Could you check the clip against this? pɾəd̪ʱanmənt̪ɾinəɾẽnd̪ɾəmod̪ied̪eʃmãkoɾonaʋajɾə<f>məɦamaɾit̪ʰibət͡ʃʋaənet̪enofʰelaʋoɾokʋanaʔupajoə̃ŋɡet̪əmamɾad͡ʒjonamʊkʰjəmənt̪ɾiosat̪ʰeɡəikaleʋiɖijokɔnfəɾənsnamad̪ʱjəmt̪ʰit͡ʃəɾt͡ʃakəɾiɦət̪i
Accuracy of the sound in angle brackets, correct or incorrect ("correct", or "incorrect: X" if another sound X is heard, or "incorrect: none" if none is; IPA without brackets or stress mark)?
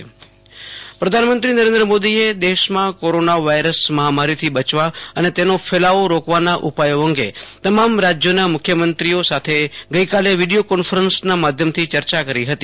incorrect: s